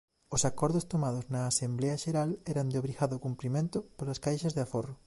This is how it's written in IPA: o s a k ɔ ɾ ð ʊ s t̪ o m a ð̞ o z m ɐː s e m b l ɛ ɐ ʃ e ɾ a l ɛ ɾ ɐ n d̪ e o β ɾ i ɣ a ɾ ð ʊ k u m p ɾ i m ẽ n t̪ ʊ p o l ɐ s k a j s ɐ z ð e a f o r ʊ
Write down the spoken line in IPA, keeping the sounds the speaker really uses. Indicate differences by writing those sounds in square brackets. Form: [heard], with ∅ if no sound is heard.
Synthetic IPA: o s a k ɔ ɾ ð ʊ s t̪ o m a ð̞ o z [n] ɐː s e m b l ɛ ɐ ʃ e ɾ a l ɛ ɾ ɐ n d̪ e o β ɾ i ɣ a [∅] ð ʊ k u m p ɾ i m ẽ n t̪ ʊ p o l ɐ s k a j [ʃ] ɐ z ð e a f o r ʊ